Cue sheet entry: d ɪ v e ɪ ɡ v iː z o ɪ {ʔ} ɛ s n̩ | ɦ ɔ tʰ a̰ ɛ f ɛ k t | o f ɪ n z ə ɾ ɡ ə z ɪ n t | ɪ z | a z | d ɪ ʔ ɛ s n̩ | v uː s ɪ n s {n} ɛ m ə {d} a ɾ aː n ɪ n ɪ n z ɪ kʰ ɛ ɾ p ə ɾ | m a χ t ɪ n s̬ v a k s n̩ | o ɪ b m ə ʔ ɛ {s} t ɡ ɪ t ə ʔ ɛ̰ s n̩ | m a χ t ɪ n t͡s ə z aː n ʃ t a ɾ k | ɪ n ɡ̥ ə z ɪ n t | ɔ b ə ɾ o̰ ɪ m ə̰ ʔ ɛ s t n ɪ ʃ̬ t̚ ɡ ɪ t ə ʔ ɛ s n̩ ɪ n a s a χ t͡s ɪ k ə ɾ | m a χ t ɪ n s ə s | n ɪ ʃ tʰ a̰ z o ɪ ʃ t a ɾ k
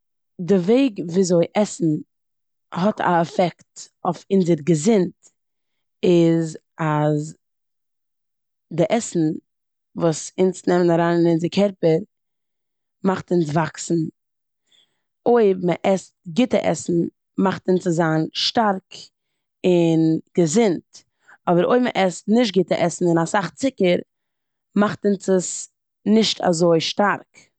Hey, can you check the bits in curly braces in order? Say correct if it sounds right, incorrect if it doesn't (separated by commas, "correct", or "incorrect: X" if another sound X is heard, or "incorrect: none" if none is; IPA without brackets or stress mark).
correct, correct, incorrect: n, correct